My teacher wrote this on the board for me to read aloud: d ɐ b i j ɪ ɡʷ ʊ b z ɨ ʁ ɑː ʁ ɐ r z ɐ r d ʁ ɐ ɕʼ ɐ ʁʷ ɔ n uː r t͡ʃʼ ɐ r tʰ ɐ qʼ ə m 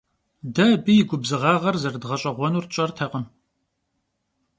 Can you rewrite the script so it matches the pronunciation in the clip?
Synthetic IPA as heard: d ɐ b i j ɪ ɡʷ ʊ b z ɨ ʁ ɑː ʁ ɐ r z ɐ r d ʁ ɐ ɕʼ ɐ ʁʷ ɔ n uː r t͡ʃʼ ɐ r tʰ ɐ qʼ ə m